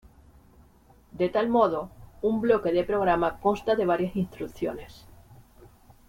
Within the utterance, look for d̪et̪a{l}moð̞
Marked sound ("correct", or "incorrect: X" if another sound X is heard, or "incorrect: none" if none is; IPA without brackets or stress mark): correct